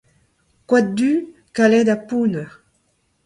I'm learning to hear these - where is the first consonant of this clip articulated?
velum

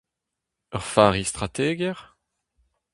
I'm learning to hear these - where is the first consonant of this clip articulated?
uvula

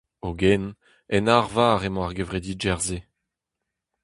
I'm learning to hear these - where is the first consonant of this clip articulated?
velum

